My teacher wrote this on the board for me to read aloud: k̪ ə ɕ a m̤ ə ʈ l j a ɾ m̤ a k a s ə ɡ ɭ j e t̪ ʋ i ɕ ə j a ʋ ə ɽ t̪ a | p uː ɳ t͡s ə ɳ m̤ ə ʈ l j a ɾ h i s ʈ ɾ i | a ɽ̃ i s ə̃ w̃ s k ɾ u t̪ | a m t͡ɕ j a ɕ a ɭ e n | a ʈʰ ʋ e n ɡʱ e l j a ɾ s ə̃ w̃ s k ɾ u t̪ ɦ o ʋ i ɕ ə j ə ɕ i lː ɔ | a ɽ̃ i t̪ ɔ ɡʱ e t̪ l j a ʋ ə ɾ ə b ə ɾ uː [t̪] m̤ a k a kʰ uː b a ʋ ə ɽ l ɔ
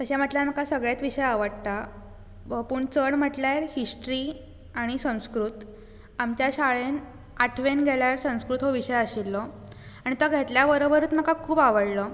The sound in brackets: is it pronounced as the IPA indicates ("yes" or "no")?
yes